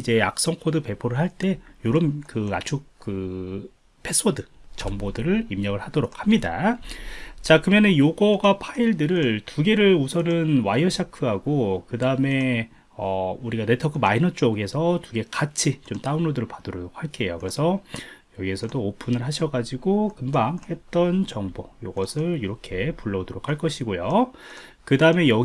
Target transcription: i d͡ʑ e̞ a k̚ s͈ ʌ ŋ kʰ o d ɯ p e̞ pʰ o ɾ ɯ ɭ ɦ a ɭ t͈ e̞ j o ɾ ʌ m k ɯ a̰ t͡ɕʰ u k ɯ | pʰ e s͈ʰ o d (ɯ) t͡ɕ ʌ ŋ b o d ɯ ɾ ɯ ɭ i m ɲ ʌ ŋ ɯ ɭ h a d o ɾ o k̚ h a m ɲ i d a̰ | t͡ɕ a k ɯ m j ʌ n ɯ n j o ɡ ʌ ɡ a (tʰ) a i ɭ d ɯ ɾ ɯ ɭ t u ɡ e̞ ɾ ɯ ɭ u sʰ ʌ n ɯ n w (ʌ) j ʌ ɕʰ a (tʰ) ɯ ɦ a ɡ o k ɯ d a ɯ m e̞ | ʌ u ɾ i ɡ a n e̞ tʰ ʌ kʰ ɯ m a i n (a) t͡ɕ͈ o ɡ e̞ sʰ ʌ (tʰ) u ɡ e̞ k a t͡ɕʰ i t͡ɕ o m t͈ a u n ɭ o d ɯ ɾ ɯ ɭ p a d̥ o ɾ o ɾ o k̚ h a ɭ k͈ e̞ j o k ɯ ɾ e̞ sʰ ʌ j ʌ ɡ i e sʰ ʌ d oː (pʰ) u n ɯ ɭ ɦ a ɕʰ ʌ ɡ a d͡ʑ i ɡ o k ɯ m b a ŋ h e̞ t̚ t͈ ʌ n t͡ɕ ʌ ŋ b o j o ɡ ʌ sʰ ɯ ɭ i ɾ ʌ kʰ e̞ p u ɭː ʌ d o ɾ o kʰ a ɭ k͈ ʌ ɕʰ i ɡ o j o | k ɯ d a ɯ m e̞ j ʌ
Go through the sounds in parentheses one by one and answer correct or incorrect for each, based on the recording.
correct, incorrect, incorrect, incorrect, incorrect, incorrect, correct

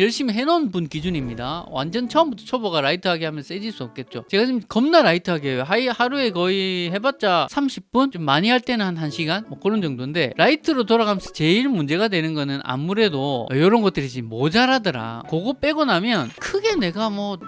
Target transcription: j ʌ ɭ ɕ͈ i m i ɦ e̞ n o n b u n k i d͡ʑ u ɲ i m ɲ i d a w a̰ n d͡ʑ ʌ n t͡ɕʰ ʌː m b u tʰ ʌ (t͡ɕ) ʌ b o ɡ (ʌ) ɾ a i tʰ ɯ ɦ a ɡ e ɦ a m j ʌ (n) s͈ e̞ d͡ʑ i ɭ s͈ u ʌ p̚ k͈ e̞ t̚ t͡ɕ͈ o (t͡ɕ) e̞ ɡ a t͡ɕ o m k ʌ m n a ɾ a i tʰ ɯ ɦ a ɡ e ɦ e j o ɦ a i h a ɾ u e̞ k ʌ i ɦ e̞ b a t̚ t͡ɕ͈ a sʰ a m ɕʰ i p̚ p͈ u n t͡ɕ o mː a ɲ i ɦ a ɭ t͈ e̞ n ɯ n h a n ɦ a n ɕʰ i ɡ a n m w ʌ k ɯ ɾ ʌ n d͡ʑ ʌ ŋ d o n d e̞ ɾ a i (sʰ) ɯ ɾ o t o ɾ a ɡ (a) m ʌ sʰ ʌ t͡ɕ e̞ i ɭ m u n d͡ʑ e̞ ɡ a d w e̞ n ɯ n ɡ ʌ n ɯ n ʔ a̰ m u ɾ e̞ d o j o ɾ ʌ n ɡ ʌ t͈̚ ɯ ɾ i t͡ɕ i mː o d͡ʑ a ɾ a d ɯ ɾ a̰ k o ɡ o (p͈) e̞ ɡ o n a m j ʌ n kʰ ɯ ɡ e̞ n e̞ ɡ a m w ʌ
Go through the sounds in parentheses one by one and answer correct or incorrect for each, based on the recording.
incorrect, incorrect, correct, correct, incorrect, correct, correct

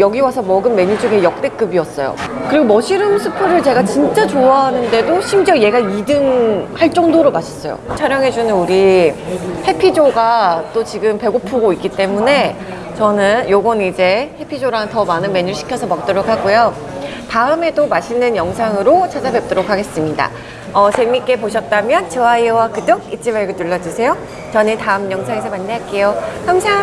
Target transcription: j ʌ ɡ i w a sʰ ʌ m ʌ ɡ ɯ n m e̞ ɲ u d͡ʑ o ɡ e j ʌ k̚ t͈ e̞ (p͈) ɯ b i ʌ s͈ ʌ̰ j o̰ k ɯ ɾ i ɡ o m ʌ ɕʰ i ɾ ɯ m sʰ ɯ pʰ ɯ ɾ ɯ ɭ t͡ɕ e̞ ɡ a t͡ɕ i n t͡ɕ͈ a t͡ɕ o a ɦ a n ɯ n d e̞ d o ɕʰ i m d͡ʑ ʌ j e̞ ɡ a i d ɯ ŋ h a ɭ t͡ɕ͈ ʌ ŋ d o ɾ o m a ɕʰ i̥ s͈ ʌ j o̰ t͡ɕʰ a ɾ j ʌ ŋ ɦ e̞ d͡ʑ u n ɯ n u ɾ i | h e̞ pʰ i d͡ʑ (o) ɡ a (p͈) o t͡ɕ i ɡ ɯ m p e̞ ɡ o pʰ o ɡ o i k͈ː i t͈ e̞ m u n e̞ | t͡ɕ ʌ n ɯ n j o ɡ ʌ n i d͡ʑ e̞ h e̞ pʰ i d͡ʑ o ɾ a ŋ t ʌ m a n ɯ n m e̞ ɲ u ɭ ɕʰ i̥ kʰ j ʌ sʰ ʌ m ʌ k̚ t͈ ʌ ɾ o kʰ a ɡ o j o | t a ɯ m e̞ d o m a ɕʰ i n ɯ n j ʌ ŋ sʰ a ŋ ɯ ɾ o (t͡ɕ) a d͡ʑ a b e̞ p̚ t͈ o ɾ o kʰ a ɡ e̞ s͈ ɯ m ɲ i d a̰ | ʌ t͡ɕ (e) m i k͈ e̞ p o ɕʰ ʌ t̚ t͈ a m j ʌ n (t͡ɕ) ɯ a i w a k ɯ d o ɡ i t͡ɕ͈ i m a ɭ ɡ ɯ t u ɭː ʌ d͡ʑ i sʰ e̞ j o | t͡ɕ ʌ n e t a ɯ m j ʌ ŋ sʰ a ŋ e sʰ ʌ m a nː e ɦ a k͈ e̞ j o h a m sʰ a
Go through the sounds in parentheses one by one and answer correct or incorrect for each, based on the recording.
incorrect, correct, incorrect, incorrect, correct, correct

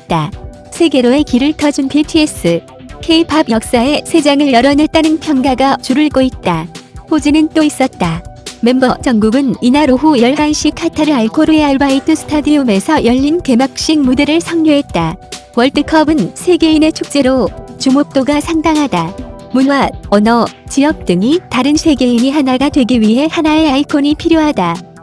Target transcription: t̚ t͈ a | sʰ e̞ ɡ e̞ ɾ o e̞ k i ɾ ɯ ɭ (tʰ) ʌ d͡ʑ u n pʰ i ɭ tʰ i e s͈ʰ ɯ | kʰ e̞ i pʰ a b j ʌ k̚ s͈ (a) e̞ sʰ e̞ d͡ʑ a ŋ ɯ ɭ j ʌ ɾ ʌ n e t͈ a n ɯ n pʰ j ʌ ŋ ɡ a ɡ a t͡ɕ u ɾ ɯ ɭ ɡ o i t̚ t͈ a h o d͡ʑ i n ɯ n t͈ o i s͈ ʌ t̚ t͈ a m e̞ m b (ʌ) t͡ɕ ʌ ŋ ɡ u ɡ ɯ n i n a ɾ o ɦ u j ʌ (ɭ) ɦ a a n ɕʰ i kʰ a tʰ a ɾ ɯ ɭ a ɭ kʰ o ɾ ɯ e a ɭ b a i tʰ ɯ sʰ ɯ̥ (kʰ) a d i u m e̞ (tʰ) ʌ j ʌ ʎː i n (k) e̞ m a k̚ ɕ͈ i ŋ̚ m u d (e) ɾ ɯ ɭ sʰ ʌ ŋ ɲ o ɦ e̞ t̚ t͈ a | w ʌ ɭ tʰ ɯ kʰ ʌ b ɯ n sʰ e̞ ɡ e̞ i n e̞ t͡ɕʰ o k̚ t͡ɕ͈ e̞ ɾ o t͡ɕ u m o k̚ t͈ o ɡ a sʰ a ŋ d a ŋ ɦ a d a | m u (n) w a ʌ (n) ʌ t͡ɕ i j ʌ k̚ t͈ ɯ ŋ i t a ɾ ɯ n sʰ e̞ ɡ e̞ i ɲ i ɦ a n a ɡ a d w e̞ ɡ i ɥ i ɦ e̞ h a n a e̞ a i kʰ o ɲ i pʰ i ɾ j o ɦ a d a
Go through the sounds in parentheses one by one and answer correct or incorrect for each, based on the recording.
correct, correct, correct, correct, incorrect, incorrect, correct, correct, correct, correct

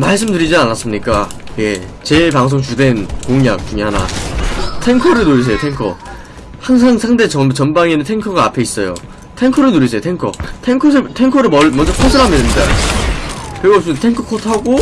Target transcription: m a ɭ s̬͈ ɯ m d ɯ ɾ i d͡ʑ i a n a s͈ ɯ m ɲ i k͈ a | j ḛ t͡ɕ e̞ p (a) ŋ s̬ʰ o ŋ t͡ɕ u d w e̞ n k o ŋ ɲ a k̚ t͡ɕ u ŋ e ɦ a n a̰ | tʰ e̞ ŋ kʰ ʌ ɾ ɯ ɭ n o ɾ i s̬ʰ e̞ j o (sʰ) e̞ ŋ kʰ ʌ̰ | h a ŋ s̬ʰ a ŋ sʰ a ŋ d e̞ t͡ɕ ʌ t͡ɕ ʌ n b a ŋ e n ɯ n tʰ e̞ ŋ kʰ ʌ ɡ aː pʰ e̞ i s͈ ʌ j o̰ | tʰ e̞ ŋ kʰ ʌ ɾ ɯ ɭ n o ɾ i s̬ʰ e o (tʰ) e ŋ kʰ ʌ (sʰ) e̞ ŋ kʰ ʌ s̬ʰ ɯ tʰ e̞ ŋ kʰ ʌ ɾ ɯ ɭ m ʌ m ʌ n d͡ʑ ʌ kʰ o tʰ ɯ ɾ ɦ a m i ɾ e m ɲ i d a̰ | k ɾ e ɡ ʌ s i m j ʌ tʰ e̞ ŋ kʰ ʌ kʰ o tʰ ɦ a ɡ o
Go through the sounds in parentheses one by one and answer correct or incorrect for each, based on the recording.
correct, incorrect, correct, incorrect

